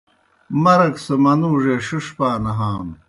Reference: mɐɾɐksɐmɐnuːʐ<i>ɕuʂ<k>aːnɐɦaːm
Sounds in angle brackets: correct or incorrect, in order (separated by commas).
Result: incorrect, incorrect